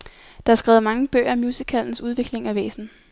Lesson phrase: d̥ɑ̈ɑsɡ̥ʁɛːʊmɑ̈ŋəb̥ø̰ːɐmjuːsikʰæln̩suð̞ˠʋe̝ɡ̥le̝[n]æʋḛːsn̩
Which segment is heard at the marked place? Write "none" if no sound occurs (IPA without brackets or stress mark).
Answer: ŋ